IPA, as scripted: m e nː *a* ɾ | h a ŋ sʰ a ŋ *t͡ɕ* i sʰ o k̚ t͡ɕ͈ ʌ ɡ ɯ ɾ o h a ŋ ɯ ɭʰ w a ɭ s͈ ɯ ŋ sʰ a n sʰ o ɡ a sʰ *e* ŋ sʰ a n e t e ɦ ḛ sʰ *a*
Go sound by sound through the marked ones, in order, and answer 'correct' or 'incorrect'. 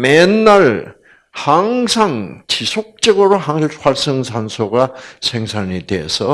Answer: correct, correct, correct, incorrect

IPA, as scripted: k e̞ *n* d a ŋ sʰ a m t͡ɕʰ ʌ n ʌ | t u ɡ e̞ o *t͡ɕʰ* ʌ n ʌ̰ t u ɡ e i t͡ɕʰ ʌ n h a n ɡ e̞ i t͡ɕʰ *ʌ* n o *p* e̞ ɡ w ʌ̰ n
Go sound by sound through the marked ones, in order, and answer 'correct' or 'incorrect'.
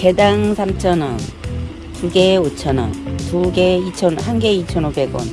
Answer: incorrect, correct, correct, incorrect

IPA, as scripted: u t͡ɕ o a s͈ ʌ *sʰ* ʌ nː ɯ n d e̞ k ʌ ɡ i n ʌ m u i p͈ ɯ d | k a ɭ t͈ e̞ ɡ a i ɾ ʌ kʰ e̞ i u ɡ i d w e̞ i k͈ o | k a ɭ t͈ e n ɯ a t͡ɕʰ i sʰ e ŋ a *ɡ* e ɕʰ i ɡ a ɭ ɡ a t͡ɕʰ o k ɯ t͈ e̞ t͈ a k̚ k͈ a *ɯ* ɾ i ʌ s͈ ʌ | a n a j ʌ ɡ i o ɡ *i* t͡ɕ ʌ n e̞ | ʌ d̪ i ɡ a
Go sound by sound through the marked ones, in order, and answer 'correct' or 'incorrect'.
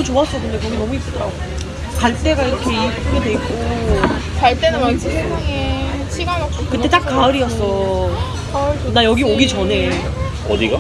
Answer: incorrect, incorrect, correct, correct

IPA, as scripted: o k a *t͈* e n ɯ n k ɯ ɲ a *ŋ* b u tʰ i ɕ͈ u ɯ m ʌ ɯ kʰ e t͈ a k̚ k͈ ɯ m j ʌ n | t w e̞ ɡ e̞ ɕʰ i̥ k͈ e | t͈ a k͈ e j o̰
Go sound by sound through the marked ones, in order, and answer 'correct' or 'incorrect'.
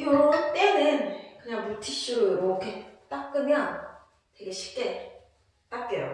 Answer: correct, correct

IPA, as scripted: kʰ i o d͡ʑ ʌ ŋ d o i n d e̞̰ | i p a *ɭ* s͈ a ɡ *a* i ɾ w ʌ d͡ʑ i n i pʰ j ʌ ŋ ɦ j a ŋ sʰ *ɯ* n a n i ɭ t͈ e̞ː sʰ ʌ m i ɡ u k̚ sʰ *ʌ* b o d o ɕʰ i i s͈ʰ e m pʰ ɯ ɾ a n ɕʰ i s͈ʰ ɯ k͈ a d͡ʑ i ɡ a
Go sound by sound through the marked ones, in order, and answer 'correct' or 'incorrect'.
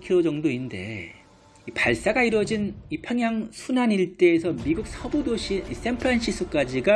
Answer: correct, correct, incorrect, correct

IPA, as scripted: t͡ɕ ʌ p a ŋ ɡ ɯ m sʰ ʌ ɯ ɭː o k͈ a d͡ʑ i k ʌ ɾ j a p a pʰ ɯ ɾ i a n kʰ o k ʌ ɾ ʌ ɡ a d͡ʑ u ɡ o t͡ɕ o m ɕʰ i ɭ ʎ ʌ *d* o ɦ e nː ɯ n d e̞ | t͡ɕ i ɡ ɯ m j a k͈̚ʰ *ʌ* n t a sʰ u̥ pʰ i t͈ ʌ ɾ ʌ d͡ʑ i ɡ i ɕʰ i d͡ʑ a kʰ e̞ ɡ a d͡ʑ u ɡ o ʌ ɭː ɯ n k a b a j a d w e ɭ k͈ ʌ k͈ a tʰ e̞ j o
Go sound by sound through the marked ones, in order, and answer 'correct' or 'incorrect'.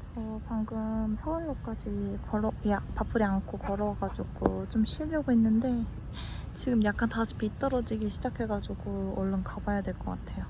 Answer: incorrect, incorrect

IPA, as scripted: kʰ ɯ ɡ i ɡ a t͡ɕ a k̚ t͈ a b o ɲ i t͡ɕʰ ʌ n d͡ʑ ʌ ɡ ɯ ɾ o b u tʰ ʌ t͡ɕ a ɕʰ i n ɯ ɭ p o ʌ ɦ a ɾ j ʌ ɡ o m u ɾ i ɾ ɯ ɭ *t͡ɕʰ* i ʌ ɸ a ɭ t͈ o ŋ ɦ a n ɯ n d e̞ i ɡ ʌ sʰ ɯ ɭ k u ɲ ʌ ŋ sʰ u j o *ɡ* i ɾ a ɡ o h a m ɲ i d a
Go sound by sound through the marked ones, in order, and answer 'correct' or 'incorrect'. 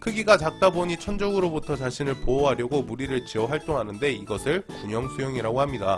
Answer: incorrect, incorrect

